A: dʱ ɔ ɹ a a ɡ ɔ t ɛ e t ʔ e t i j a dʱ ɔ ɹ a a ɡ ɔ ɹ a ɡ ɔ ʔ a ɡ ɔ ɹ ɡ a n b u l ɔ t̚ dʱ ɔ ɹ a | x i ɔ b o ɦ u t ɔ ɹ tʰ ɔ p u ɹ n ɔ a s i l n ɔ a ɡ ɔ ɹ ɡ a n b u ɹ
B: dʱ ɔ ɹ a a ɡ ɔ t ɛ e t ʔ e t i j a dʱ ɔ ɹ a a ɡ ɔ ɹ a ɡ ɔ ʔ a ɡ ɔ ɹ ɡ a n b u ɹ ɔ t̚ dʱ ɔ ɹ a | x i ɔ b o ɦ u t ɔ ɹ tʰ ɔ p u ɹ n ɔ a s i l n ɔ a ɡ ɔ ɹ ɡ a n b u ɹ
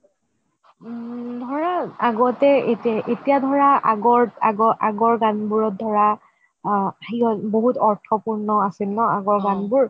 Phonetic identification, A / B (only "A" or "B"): B